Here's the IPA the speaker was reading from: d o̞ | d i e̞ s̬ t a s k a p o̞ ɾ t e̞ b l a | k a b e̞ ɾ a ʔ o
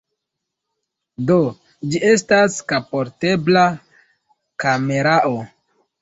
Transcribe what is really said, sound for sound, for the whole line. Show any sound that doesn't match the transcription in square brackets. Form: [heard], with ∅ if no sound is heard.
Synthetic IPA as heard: d o̞ | [d͡ʒ] i e̞ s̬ t a s k a p o̞ ɾ t e̞ b l a | k a [m] e̞ ɾ a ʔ o